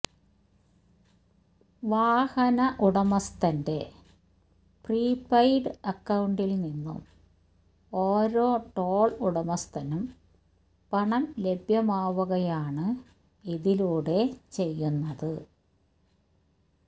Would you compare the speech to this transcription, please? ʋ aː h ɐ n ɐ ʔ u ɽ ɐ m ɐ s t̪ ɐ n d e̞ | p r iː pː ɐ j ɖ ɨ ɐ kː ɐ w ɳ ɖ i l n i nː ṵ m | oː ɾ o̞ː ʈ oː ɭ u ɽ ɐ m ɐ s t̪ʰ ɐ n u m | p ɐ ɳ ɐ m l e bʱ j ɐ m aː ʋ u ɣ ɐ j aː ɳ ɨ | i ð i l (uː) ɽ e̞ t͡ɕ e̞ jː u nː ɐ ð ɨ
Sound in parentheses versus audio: correct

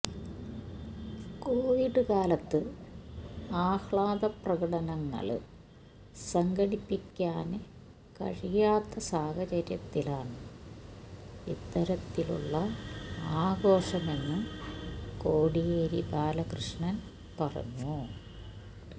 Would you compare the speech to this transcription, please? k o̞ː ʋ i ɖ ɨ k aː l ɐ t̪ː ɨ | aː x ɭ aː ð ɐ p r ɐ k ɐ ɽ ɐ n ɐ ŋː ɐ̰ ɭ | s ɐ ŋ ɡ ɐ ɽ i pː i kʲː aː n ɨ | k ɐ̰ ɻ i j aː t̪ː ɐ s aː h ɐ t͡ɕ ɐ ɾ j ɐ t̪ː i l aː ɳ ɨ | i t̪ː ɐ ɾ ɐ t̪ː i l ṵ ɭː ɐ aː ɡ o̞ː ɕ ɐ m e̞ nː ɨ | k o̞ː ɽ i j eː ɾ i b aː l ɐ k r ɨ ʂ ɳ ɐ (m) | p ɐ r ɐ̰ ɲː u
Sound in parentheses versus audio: incorrect: n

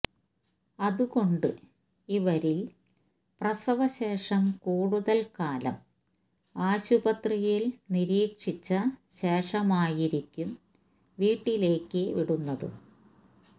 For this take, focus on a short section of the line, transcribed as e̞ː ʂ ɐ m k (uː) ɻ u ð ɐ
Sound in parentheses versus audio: correct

